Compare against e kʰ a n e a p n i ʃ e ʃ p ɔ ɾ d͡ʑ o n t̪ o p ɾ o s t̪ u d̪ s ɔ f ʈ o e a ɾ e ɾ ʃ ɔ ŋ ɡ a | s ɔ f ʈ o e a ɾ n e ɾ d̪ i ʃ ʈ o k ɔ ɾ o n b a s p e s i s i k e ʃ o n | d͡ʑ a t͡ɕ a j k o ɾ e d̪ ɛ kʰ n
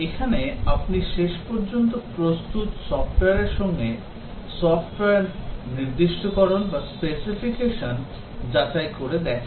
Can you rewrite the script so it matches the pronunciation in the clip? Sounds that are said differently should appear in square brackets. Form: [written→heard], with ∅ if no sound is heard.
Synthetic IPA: e kʰ a n e a p n i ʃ e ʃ p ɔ ɾ d͡ʑ o n t̪ o p ɾ o s t̪ u [d̪→t̪] s ɔ f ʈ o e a ɾ e ɾ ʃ ɔ ŋ ɡ [a→e] | s ɔ f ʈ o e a ɾ n [e→i] ɾ d̪ i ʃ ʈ o k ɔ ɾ o n b a s p e s i [s→f] i k e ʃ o n | d͡ʑ a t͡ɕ a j k o ɾ e d̪ ɛ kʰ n